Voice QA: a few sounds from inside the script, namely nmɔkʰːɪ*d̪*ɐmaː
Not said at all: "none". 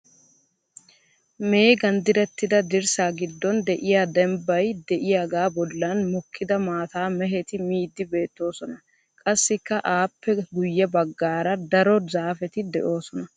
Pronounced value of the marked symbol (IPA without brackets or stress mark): d̪